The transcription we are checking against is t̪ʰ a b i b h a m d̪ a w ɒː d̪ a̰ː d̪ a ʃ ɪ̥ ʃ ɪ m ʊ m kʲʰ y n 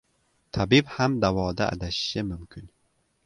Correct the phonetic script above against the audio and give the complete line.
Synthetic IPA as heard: t̪ʰ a b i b h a m d̪ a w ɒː d̪ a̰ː d̪ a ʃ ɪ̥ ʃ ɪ m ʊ m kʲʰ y n